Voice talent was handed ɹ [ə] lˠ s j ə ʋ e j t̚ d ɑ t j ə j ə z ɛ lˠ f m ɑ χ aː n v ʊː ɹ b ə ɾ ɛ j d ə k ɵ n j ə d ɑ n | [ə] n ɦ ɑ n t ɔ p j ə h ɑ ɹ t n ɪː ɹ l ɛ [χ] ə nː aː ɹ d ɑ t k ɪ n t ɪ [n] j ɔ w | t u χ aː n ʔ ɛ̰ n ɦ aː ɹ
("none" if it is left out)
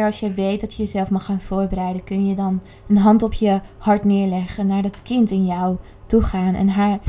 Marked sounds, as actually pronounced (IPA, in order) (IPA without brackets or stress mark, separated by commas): ɑ, ə, χ, n